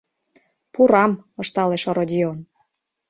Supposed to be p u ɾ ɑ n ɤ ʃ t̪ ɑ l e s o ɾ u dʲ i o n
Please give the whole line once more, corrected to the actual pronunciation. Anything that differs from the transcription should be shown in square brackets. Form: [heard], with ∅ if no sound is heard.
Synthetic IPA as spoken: p u ɾ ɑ [m] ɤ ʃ t̪ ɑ l e [ʃ] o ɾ [o] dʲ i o n